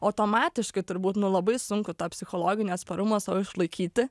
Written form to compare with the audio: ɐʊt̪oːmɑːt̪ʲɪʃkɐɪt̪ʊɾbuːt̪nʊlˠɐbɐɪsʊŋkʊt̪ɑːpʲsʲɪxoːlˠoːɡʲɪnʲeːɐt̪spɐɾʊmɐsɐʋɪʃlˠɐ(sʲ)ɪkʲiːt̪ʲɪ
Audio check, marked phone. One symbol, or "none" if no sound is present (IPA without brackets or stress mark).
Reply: none